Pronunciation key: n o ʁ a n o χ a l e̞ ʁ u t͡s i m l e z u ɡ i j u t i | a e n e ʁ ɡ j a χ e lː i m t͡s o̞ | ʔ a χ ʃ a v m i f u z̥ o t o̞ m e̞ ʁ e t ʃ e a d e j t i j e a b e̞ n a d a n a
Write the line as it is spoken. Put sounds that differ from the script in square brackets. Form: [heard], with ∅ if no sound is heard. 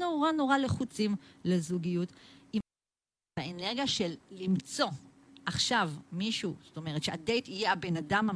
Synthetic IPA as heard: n o ʁ a n o [ʁ] a l e̞ [χ] u t͡s i m l e z u ɡ i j u t i | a e n e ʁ ɡ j a [ʃ] e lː i m t͡s o̞ | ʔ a χ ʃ a v m i [ʃ] u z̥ o t o̞ m e̞ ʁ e t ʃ e a d e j t i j e a b e̞ n a d a [m] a